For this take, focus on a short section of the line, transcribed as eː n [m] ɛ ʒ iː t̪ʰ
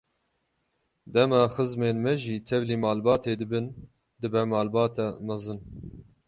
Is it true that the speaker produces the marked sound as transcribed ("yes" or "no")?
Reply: yes